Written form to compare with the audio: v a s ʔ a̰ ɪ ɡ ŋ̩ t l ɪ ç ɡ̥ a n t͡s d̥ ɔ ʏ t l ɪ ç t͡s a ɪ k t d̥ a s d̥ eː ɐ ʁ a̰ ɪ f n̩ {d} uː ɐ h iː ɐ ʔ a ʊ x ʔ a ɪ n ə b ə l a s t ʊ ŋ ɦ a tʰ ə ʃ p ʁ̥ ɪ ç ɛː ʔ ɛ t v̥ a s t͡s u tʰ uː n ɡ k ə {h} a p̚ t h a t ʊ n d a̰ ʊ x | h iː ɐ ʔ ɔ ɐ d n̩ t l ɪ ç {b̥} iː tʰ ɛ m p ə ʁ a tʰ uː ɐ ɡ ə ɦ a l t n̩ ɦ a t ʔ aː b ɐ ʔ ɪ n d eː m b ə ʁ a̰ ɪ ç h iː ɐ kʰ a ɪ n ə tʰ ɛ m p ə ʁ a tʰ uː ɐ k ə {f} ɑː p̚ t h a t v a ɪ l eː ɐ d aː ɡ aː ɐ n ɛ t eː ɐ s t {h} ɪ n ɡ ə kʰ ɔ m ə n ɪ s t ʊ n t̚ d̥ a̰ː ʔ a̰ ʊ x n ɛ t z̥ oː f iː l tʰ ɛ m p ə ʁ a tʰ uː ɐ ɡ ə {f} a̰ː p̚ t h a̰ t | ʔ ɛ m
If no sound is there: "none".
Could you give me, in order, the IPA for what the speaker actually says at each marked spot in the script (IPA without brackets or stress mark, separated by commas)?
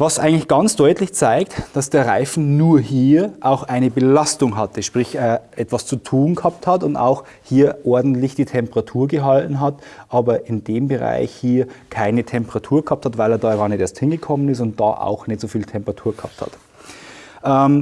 n, h, d̥, h, h, h